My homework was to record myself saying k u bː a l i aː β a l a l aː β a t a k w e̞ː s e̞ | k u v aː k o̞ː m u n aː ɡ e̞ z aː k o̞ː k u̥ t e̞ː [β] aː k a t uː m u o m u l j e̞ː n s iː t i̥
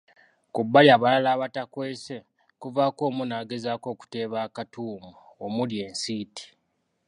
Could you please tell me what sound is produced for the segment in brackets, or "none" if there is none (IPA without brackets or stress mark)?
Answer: β